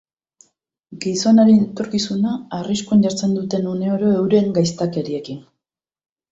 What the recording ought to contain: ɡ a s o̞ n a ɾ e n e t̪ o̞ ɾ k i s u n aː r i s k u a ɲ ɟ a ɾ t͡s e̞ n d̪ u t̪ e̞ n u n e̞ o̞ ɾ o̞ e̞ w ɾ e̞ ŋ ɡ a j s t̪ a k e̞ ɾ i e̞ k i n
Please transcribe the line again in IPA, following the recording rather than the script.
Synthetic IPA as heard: ɡ i s o̞ n a ɾ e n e t̪ o̞ ɾ k i s u n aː r i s k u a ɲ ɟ a ɾ t͡s e̞ n d̪ u t̪ e̞ n u n e̞ o̞ ɾ o̞ e̞ w ɾ e̞ ŋ ɡ a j s t̪ a k e̞ ɾ i e̞ k i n